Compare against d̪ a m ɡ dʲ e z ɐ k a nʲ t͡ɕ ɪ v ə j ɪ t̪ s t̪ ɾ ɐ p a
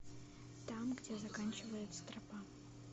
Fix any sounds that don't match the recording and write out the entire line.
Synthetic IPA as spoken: t̪ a m ɡ dʲ e z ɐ k a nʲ t͡ɕ ɪ v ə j ɪ t̪ s t̪ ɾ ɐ p a